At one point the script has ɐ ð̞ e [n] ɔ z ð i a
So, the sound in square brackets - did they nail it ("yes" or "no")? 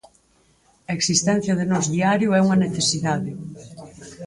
yes